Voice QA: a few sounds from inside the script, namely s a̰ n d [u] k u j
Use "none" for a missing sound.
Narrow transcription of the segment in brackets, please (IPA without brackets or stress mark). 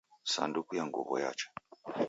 u